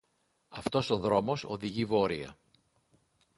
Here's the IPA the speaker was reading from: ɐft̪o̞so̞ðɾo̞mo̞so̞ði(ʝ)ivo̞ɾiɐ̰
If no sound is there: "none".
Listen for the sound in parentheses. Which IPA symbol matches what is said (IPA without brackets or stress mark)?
ʝ